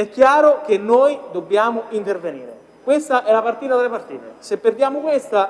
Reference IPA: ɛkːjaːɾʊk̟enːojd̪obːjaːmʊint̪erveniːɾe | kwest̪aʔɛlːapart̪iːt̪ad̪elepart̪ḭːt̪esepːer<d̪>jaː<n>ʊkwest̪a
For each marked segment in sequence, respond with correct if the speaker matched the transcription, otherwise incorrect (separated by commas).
correct, incorrect